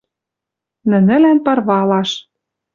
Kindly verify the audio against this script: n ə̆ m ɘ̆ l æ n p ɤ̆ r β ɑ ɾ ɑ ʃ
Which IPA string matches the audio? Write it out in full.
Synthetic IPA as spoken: n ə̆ n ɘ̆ l æ n p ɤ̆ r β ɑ l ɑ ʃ